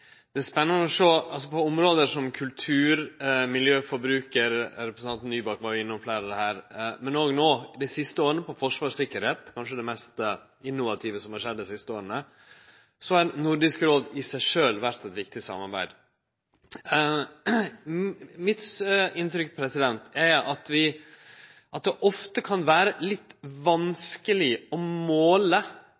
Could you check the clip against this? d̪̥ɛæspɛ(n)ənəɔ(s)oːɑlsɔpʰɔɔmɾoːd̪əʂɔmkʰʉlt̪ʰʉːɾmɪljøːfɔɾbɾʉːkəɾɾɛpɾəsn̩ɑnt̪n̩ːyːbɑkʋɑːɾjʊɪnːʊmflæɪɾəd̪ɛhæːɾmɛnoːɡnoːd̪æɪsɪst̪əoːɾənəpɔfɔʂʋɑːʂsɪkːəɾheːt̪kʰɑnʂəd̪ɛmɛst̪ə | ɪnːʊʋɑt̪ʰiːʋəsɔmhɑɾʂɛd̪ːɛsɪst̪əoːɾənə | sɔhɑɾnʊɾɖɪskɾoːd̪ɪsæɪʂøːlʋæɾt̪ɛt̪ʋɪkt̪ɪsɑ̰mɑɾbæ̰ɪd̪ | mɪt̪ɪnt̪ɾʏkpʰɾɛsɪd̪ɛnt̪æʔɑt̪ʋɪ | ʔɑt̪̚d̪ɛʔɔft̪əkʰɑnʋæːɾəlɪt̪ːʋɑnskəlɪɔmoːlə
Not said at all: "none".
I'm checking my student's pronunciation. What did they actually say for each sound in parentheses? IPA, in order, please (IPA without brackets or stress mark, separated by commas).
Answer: nː, ʂ